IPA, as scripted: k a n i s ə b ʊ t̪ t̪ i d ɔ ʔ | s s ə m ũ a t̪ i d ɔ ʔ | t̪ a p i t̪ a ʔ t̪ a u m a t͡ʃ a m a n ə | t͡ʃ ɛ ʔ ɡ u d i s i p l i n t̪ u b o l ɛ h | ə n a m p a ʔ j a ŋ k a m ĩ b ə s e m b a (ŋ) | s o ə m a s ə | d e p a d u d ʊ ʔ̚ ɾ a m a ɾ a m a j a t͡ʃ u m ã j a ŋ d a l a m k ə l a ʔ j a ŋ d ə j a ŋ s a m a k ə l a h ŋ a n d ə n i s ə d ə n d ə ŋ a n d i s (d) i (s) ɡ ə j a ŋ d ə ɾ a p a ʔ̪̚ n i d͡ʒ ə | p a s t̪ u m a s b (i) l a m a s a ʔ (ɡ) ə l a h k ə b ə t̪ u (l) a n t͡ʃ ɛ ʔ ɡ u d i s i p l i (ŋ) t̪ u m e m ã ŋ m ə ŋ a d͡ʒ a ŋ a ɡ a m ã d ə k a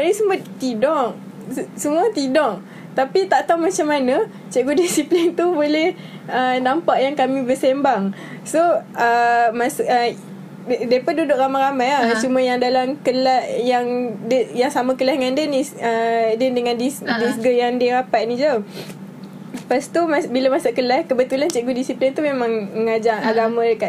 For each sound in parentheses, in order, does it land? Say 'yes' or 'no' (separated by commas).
yes, yes, yes, yes, no, yes, no